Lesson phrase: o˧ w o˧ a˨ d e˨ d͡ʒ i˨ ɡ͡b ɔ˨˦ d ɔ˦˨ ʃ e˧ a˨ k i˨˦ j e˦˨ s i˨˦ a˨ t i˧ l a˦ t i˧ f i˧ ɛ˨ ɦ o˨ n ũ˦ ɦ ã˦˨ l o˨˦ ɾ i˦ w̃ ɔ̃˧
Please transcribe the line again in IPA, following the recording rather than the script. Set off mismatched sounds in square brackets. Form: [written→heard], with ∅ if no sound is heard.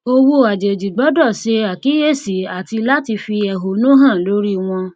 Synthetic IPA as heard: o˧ w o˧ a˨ [d→d͡ʒ] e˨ d͡ʒ i˨ ɡ͡b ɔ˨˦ d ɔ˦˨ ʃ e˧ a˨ k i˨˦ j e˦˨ s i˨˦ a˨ t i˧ l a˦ t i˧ f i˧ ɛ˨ ɦ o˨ n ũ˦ ɦ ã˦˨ l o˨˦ ɾ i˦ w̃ ɔ̃˧